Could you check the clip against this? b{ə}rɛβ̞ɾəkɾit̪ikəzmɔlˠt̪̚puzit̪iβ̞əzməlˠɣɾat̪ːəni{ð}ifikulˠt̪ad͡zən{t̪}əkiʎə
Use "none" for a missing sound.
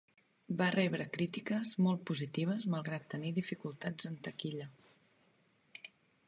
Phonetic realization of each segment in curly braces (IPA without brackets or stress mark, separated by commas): a, ð, t̪